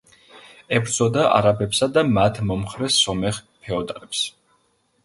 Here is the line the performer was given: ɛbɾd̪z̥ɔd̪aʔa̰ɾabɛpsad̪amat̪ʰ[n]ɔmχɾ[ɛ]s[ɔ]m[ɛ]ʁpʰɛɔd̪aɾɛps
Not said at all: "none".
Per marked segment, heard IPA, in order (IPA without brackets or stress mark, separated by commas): m, ɛ, ɔ, ɛ